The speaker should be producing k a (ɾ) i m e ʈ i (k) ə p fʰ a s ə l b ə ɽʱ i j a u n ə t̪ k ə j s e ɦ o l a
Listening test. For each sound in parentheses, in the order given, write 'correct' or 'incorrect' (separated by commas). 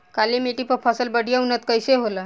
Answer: incorrect, incorrect